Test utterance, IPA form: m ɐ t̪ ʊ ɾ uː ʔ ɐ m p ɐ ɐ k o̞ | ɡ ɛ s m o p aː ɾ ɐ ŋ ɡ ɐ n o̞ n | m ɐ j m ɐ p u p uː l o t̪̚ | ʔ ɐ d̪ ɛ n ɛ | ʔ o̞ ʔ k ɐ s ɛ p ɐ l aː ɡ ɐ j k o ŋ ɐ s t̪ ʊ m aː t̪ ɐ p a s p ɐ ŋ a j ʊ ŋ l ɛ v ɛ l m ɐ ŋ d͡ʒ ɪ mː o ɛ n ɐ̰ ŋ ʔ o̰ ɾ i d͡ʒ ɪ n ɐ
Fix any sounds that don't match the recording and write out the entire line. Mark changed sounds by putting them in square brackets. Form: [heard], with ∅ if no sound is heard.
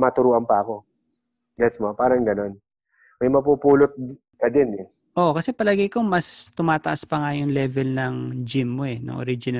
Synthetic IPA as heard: m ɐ t̪ ʊ ɾ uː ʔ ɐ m p ɐ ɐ k o̞ | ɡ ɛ s m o p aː ɾ ɐ ŋ ɡ ɐ n o̞ n | m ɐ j m ɐ p u p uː l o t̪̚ | [k] ɐ d̪ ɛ n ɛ | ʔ o̞ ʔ k ɐ s ɛ p ɐ l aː ɡ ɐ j k o [m] ɐ s t̪ ʊ m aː t̪ ɐ [ʔ] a s p ɐ ŋ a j ʊ ŋ l ɛ v ɛ l [n] ɐ ŋ d͡ʒ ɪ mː o ɛ n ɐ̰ ŋ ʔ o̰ ɾ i d͡ʒ ɪ n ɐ